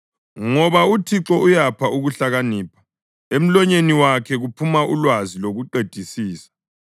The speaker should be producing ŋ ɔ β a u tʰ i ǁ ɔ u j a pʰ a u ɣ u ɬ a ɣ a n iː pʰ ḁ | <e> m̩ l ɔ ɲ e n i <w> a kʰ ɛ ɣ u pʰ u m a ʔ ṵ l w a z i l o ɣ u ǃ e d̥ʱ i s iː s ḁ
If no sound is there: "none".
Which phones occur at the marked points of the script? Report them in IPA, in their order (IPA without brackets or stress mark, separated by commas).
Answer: e, w